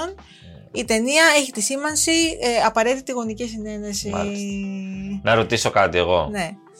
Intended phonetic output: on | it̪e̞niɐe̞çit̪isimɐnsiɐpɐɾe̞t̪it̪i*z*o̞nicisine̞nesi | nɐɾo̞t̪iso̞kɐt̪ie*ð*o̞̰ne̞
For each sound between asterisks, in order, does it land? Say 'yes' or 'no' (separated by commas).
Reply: no, no